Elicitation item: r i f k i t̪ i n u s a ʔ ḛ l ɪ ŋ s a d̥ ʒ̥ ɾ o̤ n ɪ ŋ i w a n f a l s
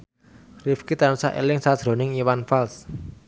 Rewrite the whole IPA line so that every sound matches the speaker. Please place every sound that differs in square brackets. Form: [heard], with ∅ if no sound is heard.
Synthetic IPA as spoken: r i f k i t̪ [a] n u s a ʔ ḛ l ɪ ŋ s a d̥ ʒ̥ ɾ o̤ n ɪ ŋ i w a n f a l s